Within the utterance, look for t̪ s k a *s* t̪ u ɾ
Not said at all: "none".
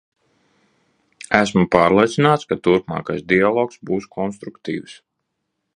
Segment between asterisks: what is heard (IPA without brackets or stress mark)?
none